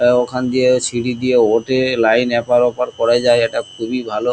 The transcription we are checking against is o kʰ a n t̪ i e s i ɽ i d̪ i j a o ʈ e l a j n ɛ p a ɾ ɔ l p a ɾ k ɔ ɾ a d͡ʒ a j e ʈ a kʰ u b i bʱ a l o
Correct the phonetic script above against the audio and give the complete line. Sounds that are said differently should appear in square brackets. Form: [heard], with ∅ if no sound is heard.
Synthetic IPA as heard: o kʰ a n [d̪] i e s i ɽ i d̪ i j [e] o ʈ e l a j n ɛ p a ɾ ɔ [∅] p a ɾ k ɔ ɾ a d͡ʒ a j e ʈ a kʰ u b i bʱ a l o